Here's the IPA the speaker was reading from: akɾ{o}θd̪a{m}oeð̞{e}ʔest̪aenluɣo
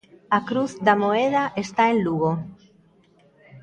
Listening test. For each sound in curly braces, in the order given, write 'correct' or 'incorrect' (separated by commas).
incorrect, correct, incorrect